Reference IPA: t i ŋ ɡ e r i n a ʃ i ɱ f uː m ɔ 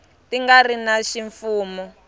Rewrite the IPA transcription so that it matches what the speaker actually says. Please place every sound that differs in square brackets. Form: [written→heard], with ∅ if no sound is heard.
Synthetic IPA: t i ŋ ɡ [e→a] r i n a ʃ i ɱ f uː m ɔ